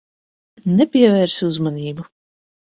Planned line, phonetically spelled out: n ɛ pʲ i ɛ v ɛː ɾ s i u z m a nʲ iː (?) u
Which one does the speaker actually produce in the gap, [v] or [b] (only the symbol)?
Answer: b